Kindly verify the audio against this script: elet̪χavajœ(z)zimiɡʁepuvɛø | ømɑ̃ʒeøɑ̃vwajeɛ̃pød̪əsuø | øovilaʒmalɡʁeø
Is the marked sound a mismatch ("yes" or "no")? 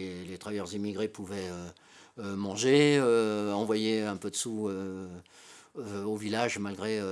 yes